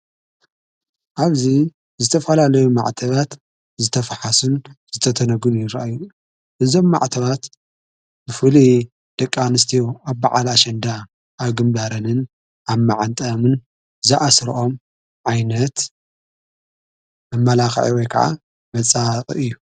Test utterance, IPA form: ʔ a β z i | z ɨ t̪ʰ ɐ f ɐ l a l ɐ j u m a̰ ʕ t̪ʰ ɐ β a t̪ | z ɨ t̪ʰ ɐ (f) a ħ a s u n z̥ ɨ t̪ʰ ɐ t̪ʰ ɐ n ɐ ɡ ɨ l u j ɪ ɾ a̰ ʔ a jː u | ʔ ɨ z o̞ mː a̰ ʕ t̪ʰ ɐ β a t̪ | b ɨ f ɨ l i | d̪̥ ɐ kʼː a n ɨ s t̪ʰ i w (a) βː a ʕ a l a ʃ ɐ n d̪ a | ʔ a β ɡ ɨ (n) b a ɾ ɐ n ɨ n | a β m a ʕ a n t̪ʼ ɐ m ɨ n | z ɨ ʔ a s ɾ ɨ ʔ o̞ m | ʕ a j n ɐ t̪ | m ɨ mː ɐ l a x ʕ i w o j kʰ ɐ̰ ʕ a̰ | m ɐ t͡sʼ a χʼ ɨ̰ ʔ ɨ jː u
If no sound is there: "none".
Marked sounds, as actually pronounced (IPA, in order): f, a, m

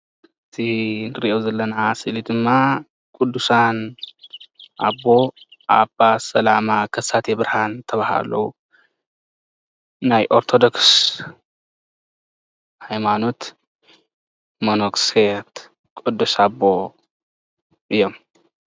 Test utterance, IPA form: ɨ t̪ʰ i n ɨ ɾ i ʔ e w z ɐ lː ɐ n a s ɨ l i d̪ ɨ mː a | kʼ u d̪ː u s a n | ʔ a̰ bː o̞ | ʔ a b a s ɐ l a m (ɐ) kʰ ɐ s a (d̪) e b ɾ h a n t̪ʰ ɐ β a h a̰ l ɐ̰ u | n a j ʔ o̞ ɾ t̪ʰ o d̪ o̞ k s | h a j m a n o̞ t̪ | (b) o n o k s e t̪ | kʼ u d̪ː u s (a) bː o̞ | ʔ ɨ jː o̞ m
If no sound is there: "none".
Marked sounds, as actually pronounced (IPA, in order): a, t̪, m, a

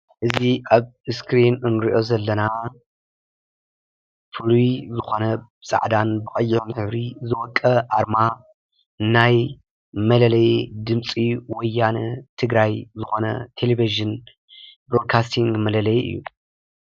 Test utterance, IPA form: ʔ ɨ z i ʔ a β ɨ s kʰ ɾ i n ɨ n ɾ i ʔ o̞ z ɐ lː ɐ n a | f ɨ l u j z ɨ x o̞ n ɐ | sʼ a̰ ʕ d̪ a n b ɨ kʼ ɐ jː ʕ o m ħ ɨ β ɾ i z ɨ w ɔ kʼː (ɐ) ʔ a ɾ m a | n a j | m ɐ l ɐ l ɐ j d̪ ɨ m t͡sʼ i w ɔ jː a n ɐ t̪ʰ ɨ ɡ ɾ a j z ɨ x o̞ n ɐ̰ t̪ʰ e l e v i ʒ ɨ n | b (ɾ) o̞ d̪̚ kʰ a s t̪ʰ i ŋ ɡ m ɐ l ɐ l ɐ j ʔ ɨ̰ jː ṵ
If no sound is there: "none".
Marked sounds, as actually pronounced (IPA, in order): ɐ, ɾ

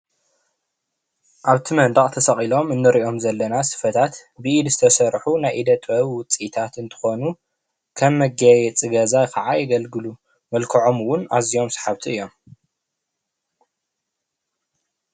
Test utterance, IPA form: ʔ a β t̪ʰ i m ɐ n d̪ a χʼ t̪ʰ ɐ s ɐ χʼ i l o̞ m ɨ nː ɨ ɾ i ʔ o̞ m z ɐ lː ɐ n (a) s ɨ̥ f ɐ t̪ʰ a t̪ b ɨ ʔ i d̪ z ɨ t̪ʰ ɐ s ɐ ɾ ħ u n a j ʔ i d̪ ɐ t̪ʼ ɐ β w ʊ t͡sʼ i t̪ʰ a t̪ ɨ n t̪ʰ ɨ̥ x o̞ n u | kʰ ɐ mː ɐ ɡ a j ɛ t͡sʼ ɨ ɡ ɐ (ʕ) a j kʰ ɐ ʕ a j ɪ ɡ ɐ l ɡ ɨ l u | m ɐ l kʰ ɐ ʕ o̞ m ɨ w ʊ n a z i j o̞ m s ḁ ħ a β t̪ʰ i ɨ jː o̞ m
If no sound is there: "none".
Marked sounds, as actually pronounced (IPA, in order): a, z

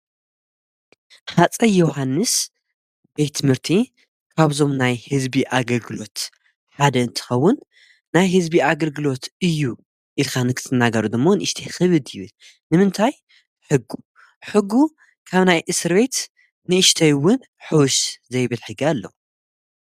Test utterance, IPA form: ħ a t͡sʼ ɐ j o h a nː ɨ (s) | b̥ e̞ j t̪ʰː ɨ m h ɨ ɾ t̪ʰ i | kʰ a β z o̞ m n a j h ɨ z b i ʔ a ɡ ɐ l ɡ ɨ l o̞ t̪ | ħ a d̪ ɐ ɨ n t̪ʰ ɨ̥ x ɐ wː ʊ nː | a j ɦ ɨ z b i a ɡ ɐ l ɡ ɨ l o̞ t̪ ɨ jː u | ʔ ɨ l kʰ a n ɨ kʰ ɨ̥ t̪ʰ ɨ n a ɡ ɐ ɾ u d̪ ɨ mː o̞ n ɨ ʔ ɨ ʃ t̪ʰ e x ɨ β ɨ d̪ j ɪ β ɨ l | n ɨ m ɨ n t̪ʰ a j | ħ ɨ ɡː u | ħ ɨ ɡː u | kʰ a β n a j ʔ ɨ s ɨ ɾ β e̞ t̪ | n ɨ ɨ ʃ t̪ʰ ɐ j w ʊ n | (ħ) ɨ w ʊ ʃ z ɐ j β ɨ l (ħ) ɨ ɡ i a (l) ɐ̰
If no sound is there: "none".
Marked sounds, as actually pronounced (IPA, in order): s, ħ, ħ, lː

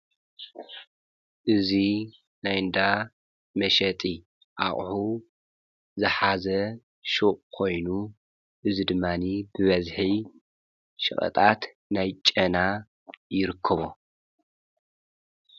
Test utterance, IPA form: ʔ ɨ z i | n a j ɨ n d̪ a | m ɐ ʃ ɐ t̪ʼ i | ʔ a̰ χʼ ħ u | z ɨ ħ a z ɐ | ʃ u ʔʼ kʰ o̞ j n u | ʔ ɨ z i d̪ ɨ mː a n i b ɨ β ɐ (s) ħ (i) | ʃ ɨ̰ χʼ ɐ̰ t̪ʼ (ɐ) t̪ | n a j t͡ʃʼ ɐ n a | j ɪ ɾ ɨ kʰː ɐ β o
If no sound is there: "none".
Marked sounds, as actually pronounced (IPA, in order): z, i, a

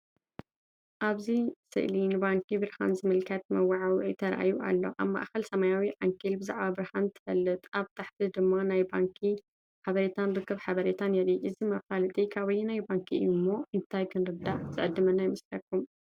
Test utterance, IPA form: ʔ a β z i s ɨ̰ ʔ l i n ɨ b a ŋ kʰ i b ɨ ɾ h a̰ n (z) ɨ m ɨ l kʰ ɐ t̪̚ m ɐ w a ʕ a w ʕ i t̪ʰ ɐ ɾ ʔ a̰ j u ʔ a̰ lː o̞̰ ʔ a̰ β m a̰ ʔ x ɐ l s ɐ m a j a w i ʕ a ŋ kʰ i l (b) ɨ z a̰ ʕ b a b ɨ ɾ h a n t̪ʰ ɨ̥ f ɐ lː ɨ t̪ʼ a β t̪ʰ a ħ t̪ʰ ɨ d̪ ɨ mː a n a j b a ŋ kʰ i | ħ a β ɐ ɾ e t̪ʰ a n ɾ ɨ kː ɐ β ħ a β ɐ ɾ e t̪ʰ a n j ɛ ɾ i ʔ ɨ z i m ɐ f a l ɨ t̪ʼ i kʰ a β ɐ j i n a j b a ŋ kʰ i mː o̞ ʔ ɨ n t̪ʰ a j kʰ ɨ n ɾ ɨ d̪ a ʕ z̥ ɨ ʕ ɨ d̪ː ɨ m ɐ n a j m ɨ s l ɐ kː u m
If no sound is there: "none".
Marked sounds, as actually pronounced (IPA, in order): z, b

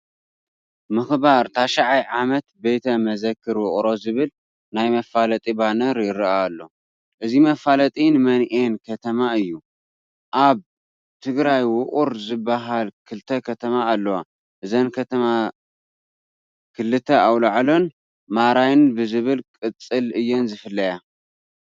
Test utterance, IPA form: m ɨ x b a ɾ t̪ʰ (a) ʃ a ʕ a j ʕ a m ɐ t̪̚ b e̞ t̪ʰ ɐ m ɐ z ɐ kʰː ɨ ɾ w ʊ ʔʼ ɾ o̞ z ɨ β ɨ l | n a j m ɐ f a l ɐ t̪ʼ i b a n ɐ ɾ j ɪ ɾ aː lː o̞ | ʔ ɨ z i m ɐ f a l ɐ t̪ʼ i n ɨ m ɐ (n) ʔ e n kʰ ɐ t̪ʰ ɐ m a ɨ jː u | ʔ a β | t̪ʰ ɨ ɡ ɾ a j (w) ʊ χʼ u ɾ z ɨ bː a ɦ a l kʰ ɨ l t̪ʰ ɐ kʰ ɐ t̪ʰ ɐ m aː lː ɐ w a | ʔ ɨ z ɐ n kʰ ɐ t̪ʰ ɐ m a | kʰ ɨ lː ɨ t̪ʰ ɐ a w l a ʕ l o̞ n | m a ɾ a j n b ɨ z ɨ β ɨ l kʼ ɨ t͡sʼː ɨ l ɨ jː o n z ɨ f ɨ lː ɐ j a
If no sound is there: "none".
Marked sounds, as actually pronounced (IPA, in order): a, n, w

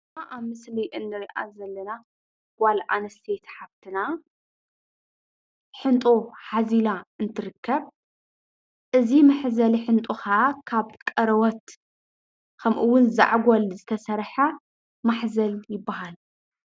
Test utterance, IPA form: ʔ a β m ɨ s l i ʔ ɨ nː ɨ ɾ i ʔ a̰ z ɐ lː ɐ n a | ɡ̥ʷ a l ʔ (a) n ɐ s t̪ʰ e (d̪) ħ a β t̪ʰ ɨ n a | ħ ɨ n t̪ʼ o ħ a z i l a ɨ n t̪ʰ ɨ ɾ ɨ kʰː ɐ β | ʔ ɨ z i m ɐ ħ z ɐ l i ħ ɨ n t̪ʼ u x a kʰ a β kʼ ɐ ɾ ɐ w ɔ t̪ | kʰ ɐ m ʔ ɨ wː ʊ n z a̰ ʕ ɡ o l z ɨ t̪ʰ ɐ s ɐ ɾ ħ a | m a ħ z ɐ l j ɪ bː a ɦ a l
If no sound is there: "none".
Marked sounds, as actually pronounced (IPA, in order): a, t̪

